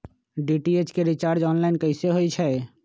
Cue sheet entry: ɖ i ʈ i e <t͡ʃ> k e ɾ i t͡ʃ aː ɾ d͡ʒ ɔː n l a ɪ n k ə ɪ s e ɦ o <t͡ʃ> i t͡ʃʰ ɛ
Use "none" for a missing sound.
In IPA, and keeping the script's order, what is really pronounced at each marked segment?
t͡ʃ, none

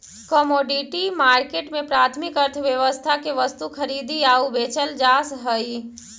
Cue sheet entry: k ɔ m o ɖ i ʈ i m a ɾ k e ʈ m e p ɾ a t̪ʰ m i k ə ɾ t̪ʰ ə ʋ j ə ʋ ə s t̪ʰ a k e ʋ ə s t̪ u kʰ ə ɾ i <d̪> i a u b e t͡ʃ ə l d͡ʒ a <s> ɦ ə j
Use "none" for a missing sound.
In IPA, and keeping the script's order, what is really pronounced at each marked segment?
d̪, s

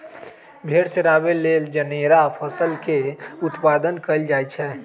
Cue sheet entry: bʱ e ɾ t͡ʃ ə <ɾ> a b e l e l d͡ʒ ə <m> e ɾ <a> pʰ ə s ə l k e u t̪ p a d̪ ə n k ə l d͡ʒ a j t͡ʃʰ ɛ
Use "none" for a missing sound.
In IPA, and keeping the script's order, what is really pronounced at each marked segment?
ɾ, n, a

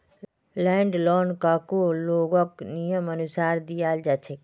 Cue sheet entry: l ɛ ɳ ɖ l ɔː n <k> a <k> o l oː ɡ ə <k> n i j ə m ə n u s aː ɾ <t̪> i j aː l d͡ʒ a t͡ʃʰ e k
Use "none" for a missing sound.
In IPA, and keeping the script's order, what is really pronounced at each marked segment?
k, k, k, d̪

